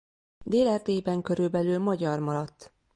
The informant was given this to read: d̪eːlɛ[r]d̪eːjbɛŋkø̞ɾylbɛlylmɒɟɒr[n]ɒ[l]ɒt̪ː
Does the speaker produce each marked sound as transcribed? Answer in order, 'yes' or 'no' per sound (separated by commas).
yes, no, no